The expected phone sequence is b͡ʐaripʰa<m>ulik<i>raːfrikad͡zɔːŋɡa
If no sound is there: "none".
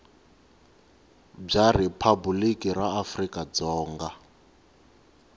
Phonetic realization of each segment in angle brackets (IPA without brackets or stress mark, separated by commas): b, i